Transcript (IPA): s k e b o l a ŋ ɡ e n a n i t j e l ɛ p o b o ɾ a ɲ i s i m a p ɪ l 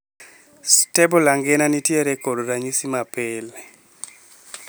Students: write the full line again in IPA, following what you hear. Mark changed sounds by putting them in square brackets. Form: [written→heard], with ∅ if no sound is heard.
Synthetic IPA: s [k→t] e b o l a ŋ ɡ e n a n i t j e [l→ɾ] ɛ [p→k] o [b→d] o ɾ a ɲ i s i m a p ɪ l